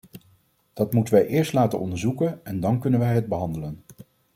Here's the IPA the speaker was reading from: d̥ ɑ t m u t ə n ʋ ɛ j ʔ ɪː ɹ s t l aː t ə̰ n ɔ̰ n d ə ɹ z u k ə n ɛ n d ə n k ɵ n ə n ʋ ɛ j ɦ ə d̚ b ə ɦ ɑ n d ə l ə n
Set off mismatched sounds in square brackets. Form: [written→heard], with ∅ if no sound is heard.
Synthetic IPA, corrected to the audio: d̥ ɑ t m u t ə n ʋ ɛ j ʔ ɪː ɹ s t l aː t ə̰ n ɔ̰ n d ə ɹ z u k ə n ɛ n d [ə→ɑ] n k ɵ n ə n ʋ ɛ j ɦ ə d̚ b ə ɦ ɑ n d ə l ə n